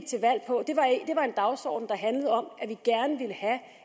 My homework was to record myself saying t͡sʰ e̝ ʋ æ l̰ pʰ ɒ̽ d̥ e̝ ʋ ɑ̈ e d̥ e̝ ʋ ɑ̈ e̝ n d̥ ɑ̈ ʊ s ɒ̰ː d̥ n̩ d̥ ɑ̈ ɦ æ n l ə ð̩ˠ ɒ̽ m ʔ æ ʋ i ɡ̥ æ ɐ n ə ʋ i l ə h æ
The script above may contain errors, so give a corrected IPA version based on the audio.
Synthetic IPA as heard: t͡sʰ e̝ ʋ æ l̰ pʰ ɒ̽ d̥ e̝ ʋ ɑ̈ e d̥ e̝ ʋ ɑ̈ e̝ n d̥ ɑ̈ ʊ s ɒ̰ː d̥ n̩ d̥ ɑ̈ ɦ æ n l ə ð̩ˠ ɒ̽ m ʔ æ ʋ i ɡ̥ æ ɐ n ə ʋ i l ə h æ